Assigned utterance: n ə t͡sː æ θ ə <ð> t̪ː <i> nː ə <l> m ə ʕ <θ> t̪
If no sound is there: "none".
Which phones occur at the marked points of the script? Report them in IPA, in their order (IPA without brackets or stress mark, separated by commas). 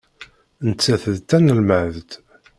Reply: ð, æ, l, ð